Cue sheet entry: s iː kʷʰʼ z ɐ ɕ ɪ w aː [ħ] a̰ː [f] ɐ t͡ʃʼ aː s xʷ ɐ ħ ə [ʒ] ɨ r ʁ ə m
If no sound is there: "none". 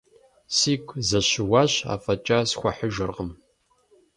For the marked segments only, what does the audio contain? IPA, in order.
ɕ, f, ʒ

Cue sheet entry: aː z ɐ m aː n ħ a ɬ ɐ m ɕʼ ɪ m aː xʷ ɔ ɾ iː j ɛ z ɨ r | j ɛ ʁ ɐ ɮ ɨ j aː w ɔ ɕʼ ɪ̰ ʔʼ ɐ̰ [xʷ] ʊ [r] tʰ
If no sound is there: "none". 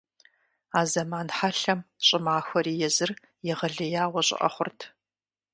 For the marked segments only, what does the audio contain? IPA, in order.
χʷ, r

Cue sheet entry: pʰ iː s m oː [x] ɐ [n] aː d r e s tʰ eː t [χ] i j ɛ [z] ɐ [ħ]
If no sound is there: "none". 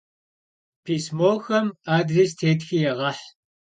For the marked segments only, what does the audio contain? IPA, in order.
x, m, x, ʁ, ħ

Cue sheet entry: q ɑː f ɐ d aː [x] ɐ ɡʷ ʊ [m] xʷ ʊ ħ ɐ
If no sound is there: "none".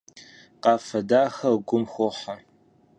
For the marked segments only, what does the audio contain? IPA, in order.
x, m

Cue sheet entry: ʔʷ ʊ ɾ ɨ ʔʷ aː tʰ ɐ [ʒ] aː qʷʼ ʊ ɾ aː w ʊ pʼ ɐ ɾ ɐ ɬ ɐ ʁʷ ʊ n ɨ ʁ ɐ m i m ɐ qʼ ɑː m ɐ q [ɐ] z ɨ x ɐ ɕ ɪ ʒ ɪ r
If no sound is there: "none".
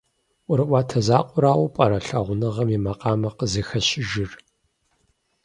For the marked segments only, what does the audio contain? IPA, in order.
z, ə

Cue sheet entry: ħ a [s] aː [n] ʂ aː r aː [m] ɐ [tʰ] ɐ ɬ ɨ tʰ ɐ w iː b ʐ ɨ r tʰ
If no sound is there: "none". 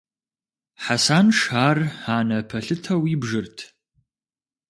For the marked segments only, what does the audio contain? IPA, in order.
s, n, n, pʰ

